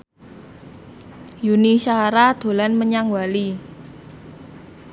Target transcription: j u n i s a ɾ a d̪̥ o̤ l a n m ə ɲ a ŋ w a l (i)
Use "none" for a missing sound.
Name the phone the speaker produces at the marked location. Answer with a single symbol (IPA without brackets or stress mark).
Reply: i